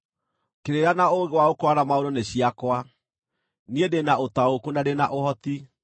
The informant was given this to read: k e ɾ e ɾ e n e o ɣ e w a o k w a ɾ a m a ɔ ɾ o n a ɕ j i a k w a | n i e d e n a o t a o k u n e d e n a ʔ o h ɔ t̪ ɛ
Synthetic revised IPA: k e ɾ e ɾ a n a o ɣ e w a o k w a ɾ a m a o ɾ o n e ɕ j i a k w a | n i e d e n a o t a o k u n a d e n a ʔ o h ɔ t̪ i